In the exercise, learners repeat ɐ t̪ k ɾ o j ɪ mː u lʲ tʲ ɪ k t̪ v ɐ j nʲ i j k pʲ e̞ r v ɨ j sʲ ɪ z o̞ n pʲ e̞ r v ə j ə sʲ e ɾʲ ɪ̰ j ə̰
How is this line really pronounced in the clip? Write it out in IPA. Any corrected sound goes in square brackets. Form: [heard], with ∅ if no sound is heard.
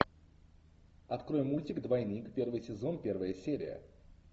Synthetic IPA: ɐ t̪ k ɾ o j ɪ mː u lʲ tʲ ɪ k [d̪] v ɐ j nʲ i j k pʲ e̞ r v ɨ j sʲ ɪ z o̞ n pʲ e̞ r v ə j ə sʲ e ɾʲ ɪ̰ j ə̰

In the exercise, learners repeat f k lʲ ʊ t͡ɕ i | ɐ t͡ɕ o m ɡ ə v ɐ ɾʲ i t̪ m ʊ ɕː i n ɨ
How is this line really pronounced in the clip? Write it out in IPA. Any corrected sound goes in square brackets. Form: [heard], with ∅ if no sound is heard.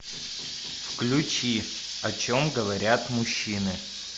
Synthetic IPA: f k lʲ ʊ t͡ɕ i | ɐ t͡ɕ o m ɡ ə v ɐ ɾʲ [a] t̪ m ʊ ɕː i n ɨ

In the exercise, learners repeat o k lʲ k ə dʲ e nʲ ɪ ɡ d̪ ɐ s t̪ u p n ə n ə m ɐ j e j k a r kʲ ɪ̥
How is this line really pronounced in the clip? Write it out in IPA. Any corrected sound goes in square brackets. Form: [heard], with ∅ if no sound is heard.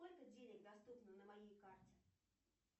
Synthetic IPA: o [∅] lʲ k ə dʲ e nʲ ɪ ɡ d̪ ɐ s t̪ u p n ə n ə m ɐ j e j k a r [tʲ] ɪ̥

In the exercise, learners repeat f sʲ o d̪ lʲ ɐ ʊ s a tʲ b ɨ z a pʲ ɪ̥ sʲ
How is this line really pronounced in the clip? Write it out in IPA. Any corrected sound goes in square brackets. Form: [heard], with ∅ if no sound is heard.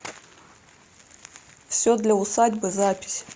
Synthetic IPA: f sʲ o d̪ lʲ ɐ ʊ s a [dʲ] b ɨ z a pʲ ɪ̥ sʲ

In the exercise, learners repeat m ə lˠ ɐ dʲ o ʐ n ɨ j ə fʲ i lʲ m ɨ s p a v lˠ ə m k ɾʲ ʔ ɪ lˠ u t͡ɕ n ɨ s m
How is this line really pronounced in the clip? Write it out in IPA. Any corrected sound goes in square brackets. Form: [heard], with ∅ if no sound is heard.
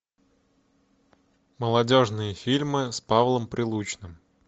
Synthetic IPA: m ə lˠ ɐ dʲ o ʐ n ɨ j ə fʲ i lʲ m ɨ s p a v lˠ ə m [p] ɾʲ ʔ ɪ lˠ u t͡ɕ n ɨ [∅] m

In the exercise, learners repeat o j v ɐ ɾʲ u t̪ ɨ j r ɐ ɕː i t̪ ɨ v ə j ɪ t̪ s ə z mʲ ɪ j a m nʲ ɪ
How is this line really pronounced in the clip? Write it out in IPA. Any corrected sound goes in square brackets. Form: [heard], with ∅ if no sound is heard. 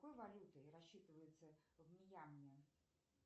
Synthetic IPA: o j v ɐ [lʲ] u t̪ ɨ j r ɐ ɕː i t̪ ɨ v ə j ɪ t̪ s ə [v] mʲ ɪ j a m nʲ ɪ

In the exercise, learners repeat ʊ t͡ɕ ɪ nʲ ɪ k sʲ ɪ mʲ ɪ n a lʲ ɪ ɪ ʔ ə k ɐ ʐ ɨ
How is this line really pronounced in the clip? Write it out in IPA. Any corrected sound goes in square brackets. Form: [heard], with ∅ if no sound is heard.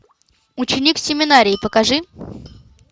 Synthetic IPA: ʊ t͡ɕ ɪ nʲ [i] k sʲ ɪ mʲ ɪ n a [ɾʲ] ɪ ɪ [p] ə k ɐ ʐ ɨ

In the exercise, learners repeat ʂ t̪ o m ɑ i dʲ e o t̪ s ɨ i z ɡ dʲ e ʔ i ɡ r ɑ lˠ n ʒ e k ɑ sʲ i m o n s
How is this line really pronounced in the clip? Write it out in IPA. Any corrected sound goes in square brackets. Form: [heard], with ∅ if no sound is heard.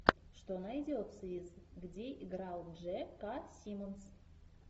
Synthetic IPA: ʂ t̪ o [n] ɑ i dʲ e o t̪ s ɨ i z ɡ dʲ e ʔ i ɡ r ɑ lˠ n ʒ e k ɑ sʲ i m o n s

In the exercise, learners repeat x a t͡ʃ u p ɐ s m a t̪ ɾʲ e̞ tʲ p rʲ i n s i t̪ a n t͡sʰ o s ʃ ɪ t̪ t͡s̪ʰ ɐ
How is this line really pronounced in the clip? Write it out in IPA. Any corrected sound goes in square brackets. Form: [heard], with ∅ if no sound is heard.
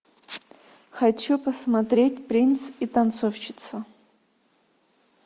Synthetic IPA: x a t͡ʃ u p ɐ s m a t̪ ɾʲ e̞ tʲ p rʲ i n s i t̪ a n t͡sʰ o [f] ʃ ɪ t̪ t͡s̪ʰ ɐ

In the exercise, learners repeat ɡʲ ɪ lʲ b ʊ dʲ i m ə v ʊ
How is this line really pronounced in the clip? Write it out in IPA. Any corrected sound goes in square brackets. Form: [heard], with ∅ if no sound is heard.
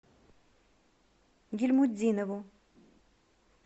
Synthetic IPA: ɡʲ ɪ lʲ [m] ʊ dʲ i [n] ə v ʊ

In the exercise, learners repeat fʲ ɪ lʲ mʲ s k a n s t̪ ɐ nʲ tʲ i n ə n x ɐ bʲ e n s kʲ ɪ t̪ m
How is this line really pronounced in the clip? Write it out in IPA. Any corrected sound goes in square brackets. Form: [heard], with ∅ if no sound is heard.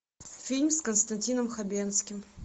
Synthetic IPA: fʲ [i] lʲ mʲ s k [ə] n s t̪ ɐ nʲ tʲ i n ə [m] x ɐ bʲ e n s kʲ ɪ [∅] m

